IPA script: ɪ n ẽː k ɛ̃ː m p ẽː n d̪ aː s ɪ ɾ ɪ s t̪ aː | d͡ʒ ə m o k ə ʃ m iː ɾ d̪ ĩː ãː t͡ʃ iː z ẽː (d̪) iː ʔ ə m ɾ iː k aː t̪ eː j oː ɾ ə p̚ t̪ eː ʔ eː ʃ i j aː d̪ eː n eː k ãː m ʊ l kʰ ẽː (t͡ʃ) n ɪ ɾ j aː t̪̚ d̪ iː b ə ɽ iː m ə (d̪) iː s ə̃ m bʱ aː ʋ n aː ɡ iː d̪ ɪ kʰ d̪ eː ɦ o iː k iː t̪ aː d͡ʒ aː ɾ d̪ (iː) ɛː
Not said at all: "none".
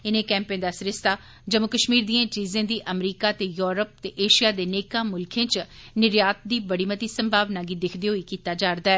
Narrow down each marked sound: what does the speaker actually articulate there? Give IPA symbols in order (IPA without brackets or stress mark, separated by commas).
d̪, t͡ʃ, t̪, aː